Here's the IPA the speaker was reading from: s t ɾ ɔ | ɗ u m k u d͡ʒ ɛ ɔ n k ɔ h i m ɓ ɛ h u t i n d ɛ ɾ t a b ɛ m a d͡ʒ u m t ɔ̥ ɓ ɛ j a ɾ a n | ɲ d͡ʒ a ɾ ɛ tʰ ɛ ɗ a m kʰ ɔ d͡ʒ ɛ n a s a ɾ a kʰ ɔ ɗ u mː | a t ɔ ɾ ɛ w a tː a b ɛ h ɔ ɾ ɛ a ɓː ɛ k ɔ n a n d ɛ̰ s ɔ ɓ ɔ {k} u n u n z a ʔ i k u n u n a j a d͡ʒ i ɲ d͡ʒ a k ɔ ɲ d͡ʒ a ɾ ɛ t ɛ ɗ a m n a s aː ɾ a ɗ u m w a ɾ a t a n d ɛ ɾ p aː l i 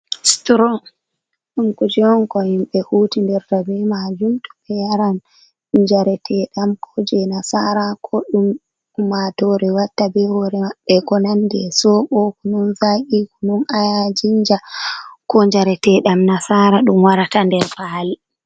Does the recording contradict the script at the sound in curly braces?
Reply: no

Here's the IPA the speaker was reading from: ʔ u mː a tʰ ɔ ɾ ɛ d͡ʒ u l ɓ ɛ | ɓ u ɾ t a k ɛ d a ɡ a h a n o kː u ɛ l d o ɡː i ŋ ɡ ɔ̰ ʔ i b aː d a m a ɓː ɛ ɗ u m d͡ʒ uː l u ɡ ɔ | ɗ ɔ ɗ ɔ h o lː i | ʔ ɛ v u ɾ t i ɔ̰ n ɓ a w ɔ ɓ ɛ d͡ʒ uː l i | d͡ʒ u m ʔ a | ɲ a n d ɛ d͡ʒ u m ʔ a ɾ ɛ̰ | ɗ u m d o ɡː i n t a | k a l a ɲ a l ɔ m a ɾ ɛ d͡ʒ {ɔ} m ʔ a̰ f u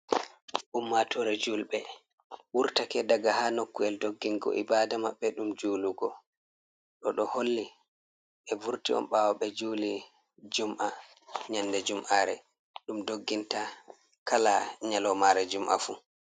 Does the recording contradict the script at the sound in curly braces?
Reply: yes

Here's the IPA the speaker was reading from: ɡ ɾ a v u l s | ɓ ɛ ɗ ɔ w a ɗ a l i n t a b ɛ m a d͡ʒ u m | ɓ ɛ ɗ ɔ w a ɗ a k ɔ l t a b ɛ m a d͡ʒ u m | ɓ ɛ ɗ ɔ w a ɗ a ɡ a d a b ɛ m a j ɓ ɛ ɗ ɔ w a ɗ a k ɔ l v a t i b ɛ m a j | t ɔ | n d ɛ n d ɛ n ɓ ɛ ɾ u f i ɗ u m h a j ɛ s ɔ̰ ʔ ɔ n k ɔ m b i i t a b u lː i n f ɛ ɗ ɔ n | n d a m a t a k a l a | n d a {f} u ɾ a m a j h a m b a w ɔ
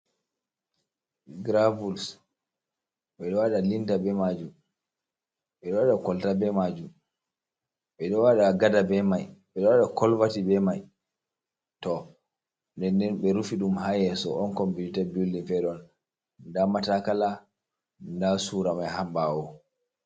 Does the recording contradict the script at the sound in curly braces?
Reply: yes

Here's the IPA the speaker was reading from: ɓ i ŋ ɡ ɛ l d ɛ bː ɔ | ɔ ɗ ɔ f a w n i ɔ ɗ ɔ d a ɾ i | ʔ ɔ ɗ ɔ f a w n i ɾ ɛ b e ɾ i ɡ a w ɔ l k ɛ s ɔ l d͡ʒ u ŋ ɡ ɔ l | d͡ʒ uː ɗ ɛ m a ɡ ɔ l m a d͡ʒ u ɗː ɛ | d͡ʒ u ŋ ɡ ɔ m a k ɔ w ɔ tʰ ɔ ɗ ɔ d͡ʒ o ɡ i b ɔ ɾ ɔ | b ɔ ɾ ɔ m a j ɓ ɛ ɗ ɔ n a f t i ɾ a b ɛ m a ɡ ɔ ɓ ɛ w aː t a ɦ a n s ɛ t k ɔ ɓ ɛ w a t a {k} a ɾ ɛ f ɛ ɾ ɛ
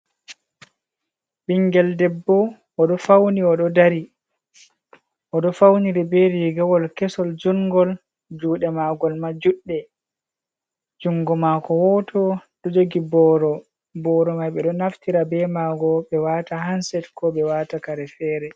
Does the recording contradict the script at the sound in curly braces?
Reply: no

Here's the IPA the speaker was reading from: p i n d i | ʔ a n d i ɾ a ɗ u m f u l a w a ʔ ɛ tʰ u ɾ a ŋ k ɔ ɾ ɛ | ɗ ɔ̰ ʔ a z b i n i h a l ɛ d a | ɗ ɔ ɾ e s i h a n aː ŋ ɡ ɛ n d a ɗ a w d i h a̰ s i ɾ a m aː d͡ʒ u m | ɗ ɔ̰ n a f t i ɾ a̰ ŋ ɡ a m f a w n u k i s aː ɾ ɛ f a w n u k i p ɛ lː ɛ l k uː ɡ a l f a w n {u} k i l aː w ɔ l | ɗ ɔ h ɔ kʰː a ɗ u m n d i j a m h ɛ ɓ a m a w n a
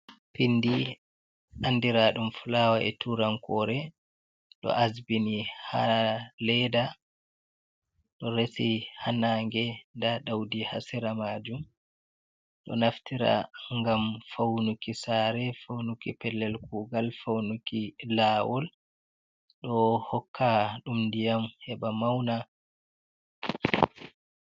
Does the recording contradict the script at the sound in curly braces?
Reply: no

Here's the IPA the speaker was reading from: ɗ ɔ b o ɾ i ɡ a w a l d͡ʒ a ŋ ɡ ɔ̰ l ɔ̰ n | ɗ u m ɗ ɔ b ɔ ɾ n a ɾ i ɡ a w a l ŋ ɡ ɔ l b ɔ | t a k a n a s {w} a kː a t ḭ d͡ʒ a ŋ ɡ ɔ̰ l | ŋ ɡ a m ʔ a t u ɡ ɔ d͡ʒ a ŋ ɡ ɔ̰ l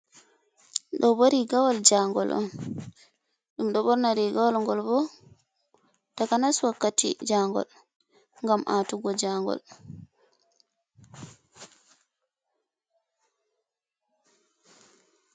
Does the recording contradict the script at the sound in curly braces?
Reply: no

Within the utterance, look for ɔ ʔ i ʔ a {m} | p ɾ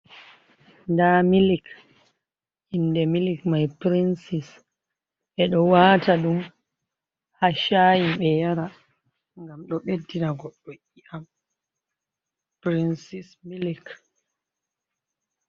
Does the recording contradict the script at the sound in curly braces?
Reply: no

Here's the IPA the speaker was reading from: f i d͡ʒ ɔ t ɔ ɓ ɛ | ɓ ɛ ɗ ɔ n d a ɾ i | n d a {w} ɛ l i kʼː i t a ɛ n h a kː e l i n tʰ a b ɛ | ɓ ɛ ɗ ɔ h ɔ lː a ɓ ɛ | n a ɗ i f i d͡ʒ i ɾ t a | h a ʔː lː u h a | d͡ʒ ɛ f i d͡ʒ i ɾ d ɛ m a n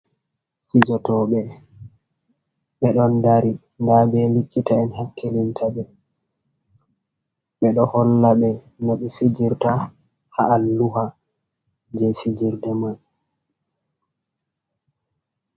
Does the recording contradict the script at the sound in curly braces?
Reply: yes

